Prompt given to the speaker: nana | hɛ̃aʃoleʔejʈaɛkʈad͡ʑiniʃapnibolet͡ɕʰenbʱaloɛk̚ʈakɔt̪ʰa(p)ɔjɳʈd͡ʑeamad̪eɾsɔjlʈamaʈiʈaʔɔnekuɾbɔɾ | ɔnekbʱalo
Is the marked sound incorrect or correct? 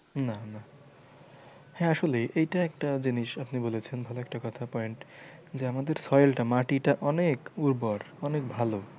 correct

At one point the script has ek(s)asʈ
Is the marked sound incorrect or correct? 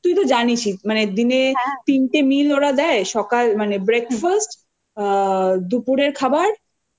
incorrect: f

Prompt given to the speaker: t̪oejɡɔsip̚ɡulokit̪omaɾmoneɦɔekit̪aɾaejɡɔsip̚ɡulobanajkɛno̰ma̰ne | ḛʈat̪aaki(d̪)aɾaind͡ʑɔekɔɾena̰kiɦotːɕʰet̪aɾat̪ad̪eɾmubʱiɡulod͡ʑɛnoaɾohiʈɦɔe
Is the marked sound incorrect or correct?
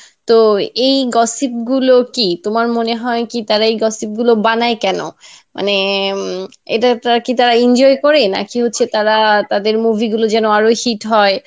incorrect: t̪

